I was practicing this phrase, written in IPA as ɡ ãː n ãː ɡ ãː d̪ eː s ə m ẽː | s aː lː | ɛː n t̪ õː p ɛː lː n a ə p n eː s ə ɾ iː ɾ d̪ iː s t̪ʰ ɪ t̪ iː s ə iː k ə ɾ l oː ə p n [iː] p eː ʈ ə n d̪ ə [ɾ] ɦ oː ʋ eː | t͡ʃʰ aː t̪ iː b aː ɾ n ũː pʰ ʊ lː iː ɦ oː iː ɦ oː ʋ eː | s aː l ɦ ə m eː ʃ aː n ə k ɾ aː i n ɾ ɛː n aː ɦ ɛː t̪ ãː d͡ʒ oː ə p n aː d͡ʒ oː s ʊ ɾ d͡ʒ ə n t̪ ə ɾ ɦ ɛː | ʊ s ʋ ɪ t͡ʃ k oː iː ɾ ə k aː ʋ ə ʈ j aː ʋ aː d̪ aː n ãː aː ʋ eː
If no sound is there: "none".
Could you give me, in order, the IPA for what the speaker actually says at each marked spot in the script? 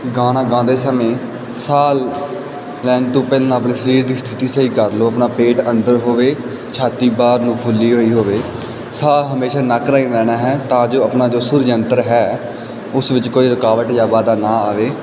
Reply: aː, ɾ

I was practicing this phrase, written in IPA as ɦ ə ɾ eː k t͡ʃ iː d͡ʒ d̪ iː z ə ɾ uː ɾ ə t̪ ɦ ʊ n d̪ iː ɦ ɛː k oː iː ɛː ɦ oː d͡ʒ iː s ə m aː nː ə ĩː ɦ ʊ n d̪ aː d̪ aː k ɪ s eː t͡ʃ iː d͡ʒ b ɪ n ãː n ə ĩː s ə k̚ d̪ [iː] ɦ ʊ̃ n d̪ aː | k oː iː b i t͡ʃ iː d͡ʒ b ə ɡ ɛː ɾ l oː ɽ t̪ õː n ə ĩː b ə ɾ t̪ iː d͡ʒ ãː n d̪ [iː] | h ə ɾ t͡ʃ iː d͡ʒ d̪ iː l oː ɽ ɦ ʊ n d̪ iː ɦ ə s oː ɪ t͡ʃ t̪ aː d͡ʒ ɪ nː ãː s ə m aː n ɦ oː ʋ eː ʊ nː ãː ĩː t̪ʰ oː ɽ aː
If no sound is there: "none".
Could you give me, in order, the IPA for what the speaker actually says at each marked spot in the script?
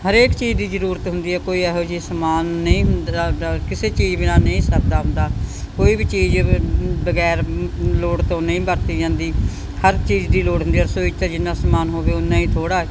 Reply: aː, iː

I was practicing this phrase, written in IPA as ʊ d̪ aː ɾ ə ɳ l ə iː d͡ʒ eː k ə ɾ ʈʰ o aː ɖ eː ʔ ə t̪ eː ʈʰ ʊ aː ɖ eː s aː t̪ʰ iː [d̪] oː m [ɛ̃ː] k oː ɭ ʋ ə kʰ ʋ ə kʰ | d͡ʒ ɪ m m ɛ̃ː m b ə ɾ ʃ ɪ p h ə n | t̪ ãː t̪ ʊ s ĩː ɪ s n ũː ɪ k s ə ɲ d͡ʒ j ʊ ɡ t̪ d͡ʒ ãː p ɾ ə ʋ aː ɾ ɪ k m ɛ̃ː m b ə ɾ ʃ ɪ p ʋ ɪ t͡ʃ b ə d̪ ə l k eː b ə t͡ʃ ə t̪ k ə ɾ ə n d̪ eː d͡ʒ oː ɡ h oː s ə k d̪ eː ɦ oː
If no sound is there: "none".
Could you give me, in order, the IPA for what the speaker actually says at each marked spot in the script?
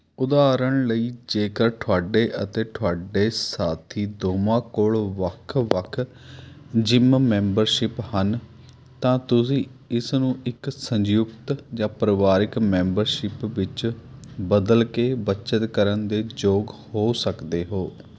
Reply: d̪, ãː

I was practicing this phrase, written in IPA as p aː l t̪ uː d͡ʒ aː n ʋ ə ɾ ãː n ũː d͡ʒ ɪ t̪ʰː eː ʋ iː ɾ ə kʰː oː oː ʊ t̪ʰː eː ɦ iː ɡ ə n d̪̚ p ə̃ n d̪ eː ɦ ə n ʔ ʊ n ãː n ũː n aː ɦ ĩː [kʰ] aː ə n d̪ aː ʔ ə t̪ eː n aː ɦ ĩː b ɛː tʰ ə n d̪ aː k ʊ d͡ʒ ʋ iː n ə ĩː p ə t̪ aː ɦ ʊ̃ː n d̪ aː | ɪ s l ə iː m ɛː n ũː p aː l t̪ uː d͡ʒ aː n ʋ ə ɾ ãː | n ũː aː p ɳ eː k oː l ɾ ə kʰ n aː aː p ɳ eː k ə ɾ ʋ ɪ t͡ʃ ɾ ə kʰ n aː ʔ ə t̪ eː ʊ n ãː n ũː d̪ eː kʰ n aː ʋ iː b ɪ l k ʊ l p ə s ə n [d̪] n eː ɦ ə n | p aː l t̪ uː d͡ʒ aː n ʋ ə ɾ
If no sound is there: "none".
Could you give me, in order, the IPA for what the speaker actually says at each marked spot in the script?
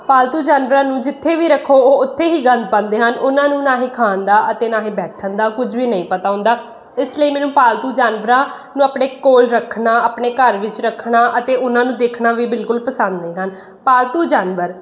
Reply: kʰ, d̪

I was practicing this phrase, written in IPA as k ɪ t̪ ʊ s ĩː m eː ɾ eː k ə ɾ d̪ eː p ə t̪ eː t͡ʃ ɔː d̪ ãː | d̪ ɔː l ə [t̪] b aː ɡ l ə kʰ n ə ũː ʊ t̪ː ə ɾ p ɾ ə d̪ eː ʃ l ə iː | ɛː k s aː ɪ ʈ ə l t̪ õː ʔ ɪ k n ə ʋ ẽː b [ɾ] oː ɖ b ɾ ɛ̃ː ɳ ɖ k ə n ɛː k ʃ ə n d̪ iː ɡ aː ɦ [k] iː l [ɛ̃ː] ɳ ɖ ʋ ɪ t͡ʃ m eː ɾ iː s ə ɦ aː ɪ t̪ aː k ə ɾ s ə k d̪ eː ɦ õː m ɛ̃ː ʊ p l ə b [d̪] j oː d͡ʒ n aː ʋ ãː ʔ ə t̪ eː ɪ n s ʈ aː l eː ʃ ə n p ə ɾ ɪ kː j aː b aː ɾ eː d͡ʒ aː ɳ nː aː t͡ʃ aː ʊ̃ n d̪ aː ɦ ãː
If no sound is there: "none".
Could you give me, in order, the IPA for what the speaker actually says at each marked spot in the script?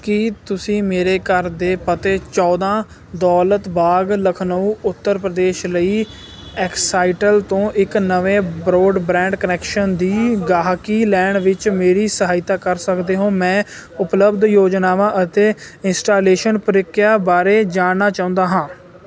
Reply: t̪, ɾ, k, ɛː, d̪

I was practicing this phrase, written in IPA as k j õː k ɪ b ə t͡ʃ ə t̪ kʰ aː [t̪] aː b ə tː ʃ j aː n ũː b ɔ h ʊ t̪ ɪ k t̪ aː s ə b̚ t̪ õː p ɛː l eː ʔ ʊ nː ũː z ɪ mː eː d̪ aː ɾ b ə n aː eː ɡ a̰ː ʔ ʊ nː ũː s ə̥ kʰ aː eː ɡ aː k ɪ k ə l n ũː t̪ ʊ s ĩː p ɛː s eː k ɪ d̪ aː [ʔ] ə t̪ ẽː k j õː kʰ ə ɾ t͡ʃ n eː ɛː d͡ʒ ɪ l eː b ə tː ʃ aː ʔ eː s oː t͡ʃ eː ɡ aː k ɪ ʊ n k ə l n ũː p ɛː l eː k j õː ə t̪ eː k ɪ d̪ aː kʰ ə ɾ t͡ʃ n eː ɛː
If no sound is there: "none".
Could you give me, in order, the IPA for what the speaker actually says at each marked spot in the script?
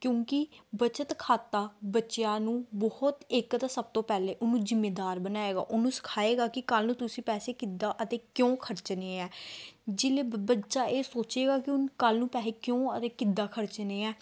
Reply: t̪, ʔ

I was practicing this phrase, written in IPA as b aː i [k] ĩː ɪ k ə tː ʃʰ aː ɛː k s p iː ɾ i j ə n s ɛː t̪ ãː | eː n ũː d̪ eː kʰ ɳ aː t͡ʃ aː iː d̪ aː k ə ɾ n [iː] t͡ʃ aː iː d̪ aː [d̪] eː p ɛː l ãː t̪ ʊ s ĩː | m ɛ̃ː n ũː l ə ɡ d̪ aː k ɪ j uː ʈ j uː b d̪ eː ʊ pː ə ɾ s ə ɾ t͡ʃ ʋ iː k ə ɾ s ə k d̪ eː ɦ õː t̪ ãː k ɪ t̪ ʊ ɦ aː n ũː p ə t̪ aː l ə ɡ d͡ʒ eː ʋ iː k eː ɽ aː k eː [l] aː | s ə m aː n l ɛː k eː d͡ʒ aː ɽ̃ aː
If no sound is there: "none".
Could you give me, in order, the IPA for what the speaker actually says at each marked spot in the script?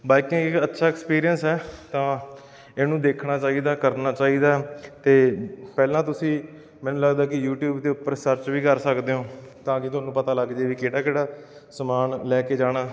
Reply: k, aː, t̪, ɽ

